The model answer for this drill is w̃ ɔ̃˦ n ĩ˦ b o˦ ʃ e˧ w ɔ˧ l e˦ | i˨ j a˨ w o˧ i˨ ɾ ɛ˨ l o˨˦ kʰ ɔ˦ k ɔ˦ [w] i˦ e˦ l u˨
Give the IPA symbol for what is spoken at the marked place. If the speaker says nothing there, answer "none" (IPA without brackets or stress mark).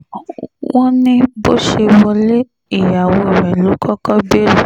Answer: b